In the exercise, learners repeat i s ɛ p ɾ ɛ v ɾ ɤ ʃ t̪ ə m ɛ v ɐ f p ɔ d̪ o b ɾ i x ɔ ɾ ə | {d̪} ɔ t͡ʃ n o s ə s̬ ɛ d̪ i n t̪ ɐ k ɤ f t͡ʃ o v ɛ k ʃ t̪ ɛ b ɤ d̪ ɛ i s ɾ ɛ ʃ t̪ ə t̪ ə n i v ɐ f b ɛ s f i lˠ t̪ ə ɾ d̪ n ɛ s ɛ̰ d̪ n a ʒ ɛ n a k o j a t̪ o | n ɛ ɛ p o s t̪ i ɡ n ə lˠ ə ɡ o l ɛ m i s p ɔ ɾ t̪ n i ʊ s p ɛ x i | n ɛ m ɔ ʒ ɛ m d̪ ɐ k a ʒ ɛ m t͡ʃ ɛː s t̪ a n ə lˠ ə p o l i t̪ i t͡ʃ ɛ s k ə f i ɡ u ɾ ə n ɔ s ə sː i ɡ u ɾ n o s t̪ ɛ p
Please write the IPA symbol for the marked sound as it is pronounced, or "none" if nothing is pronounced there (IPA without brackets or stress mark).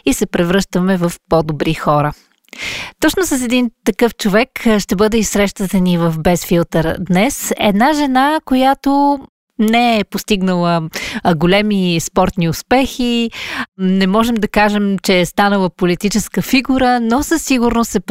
t̪